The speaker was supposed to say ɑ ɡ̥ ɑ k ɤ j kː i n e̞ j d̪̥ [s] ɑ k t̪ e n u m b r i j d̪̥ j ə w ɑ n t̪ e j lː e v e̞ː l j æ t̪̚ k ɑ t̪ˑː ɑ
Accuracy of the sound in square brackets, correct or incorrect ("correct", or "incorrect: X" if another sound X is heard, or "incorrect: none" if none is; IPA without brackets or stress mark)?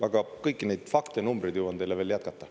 incorrect: f